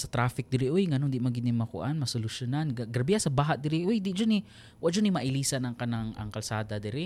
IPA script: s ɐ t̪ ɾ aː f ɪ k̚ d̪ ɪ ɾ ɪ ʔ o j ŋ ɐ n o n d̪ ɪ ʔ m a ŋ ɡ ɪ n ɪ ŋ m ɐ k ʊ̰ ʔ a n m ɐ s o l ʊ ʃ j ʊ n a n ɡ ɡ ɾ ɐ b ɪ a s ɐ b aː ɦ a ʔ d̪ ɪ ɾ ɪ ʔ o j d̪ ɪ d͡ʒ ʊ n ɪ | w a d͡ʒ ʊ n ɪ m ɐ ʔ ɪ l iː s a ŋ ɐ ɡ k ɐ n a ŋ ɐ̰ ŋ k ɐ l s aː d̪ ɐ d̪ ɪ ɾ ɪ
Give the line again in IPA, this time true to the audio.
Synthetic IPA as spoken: s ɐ t̪ ɾ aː f ɪ k̚ d̪ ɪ ɾ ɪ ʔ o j ŋ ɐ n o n d̪ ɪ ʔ m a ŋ ɡ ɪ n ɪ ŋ m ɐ k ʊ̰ ʔ a n m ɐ s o l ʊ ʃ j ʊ n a n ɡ ɡ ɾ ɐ b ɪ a s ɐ b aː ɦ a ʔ d̪ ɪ ɾ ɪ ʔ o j d̪ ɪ d͡ʒ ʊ n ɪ | w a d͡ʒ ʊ n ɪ m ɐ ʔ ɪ l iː s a n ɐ ŋ k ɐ n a ŋ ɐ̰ ŋ k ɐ l s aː d̪ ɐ d̪ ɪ ɾ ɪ